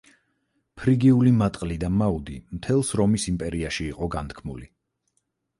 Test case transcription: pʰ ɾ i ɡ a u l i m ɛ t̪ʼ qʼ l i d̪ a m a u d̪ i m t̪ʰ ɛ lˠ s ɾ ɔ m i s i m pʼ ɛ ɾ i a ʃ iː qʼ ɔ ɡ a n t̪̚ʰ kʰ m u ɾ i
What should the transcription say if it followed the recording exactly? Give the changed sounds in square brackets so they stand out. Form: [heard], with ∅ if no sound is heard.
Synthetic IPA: pʰ ɾ i ɡ [i] u l i m [a] t̪ʼ qʼ l i d̪ a m a u d̪ i m t̪ʰ ɛ lˠ s ɾ ɔ m i s i m pʼ ɛ ɾ i a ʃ iː qʼ ɔ ɡ a n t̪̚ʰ kʰ m u [l] i